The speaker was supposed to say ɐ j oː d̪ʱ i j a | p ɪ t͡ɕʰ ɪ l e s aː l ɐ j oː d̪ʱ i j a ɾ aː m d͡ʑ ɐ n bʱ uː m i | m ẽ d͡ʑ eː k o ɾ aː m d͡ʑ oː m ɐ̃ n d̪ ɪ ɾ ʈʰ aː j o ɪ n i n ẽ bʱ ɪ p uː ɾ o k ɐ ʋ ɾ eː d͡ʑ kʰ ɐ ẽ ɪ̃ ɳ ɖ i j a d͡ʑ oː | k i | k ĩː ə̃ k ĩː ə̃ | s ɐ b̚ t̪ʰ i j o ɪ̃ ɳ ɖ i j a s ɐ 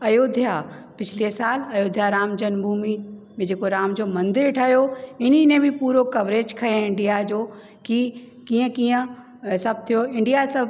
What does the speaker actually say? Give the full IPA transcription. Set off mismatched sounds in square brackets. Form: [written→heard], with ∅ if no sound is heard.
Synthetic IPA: ɐ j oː d̪ʱ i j a | p ɪ t͡ɕʰ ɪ l e s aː l ɐ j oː d̪ʱ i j a ɾ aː m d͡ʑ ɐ n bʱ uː m i | m ẽ d͡ʑ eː k o ɾ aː m d͡ʑ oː m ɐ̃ n d̪ ɪ ɾ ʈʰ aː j o ɪ n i n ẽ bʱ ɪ p uː ɾ o k ɐ ʋ ɾ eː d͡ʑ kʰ ɐ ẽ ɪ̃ ɳ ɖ i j a d͡ʑ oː | k i | k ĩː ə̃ k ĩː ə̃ | s ɐ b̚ t̪ʰ i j o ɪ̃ ɳ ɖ i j a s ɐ